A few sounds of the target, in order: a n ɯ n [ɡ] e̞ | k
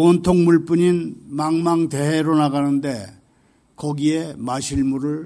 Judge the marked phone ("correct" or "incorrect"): incorrect